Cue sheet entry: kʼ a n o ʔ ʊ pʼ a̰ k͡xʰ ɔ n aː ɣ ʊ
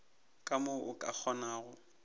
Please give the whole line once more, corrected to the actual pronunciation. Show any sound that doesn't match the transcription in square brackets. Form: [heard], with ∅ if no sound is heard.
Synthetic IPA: kʼ a [m] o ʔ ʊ [kʼ] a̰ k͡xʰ ɔ n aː ɣ ʊ

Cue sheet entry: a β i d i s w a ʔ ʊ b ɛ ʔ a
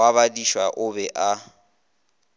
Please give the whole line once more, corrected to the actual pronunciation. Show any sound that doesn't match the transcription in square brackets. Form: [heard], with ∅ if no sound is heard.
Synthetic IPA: a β [a] d i [ʃ] w a ʔ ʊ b ɛ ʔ a

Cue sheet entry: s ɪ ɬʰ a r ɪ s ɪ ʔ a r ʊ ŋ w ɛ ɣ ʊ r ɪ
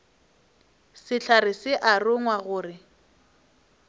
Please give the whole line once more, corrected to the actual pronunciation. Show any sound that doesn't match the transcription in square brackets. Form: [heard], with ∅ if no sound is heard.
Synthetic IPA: s ɪ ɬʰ a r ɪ s ɪ ʔ a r ʊ ŋ w [a] ɣ [ʊː] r ɪ

